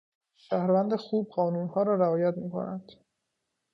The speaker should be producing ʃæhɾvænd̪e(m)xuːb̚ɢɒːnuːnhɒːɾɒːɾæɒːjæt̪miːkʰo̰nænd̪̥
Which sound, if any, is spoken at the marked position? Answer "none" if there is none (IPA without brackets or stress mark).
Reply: none